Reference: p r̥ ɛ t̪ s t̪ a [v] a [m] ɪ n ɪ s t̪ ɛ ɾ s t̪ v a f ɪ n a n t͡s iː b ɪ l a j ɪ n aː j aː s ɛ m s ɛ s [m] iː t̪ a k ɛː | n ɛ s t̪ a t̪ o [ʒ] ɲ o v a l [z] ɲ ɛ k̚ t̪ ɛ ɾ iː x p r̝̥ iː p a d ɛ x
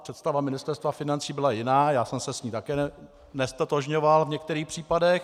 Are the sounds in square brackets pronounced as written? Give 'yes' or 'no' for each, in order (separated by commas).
yes, yes, no, yes, no